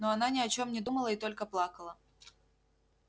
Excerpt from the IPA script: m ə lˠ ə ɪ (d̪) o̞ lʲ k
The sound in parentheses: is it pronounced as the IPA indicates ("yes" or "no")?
no